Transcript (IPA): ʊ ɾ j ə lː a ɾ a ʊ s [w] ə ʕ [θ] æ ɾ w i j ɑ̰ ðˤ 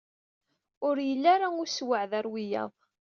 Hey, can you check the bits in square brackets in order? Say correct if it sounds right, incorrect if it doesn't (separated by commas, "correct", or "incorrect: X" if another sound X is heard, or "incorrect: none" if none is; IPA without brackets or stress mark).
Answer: correct, incorrect: ð